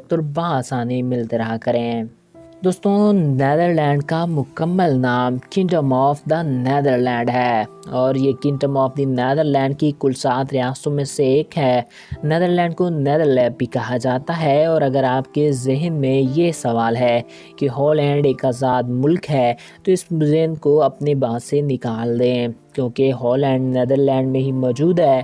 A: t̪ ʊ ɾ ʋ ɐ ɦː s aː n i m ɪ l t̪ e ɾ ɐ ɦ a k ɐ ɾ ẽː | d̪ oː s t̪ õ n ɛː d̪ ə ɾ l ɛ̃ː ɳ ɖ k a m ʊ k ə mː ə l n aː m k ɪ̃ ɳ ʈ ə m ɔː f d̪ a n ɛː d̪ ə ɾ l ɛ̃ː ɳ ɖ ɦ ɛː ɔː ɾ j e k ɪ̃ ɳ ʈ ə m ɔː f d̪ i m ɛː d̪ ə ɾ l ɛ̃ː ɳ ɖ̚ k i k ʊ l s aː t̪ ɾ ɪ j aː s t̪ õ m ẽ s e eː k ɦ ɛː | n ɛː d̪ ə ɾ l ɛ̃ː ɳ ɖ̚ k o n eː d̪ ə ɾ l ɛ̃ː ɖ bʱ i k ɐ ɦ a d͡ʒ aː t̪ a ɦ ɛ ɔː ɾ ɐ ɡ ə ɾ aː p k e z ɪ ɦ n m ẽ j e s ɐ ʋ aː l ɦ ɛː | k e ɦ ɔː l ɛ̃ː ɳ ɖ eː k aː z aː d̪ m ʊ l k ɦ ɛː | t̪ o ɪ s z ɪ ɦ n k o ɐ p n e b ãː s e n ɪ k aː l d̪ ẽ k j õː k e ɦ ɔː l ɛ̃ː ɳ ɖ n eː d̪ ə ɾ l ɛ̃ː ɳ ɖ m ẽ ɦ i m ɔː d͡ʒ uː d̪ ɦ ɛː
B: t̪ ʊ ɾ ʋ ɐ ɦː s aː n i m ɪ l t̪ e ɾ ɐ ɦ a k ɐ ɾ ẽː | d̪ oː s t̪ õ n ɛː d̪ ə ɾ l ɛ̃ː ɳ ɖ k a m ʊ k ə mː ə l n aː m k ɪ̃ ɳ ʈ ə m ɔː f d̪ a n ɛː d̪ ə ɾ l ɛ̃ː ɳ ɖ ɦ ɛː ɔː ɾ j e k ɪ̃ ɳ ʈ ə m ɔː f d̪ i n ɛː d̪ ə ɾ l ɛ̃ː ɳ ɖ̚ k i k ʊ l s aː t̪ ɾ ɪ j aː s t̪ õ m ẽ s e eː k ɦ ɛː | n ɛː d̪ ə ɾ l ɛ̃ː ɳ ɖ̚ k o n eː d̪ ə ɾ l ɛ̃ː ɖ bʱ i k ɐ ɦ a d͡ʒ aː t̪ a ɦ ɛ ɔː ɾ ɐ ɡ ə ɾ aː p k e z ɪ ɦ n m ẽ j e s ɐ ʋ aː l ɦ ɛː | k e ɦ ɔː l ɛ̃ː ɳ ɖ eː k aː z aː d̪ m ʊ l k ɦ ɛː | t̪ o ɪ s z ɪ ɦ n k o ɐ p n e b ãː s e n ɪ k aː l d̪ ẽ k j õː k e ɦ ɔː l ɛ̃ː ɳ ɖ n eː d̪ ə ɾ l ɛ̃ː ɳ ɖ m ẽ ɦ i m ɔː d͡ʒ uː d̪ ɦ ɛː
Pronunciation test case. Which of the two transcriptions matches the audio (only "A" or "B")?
B